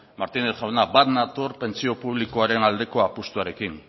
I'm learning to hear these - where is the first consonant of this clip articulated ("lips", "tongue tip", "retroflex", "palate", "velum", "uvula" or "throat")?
lips